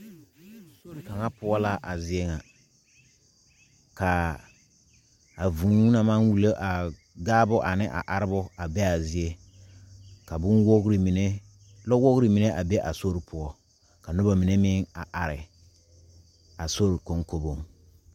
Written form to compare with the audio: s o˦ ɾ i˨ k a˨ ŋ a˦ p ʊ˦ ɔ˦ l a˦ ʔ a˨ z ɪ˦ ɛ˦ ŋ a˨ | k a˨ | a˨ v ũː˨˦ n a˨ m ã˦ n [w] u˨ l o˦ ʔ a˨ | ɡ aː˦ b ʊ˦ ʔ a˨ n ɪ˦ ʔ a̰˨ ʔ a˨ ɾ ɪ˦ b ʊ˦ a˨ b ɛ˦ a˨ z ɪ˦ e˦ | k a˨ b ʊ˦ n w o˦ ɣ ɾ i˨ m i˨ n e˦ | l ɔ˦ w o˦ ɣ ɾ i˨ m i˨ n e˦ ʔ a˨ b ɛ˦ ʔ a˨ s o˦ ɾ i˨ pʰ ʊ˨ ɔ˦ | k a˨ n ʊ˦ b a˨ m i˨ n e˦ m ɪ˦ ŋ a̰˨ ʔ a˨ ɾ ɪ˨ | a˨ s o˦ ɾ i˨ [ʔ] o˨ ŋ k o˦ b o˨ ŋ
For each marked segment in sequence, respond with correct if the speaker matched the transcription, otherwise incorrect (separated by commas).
correct, incorrect